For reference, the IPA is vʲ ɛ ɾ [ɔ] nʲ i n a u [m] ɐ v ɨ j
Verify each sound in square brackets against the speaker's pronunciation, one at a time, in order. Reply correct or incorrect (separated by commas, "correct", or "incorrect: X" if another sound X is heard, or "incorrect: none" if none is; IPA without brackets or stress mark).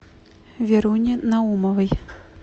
incorrect: u, correct